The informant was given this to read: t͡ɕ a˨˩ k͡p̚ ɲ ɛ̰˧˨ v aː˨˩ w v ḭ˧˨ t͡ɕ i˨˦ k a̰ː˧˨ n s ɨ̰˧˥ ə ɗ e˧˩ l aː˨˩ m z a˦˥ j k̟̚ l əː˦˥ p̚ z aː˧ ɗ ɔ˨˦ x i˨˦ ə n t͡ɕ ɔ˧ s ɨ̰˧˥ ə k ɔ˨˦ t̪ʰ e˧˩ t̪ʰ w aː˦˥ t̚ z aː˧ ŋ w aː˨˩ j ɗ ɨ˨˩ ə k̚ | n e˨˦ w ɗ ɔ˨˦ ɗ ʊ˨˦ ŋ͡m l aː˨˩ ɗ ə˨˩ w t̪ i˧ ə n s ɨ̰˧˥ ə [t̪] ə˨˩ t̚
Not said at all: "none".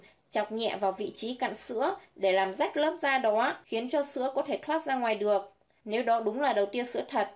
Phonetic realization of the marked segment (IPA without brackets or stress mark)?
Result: t̪ʰ